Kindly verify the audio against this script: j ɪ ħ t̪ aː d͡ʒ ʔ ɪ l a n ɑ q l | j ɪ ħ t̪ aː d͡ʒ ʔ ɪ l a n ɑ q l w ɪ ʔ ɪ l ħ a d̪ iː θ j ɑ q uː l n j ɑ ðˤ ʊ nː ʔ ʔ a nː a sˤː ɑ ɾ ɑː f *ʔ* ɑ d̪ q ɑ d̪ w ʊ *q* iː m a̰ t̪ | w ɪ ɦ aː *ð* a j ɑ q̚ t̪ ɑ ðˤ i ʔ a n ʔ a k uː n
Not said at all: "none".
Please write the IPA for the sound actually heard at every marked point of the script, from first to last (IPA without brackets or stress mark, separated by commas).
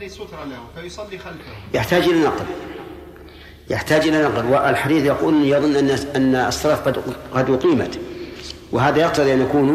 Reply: q, q, ð